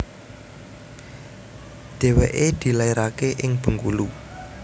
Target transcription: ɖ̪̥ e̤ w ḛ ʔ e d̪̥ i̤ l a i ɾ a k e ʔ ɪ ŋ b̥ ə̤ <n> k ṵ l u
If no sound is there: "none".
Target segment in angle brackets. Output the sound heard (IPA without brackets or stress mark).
ŋ